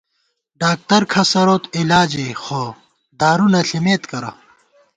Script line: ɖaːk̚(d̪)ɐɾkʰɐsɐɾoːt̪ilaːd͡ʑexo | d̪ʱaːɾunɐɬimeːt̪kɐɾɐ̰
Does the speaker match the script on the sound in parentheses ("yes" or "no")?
no